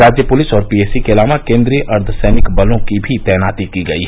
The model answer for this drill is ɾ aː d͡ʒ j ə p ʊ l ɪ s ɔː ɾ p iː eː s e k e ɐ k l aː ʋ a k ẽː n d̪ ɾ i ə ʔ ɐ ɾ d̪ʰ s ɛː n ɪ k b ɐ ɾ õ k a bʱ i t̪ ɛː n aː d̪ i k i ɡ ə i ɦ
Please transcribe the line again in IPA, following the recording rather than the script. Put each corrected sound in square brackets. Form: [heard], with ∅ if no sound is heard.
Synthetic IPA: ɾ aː d͡ʒ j ə p ʊ l ɪ s ɔː ɾ p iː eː s [i] k e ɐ [∅] l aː ʋ a k ẽː n d̪ ɾ i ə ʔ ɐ ɾ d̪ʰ s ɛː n ɪ k b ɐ [l] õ k [i] bʱ i t̪ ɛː n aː [t̪] i k i ɡ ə i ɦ